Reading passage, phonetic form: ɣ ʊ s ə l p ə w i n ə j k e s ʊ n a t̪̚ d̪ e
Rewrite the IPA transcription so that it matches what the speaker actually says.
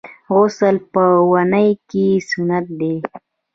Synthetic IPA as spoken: ɣ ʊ s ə l p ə w a n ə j k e s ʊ n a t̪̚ d̪ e

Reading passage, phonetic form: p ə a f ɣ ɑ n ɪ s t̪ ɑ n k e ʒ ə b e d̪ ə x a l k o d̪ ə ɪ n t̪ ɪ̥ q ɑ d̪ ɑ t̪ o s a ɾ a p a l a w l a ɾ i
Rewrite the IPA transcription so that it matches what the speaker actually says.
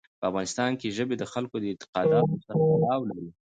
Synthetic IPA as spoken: p ə a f ɣ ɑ n ɪ s t̪ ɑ n k e ʒ ə b e d̪ ə x a l k o d̪ ə ɪ n t̪ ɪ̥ q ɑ d̪ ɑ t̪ o s a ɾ a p a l ɑ w l a ɾ i

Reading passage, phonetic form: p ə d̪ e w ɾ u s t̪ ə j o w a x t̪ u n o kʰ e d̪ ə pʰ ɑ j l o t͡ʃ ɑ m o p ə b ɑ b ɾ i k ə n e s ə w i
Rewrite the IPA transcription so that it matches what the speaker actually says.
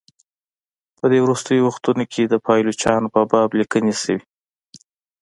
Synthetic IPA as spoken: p ə d̪ e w ɾ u s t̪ ə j o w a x t̪ u n o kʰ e d̪ ə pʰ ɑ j l o t͡ʃ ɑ n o p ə b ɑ b l i k ə n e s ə w i

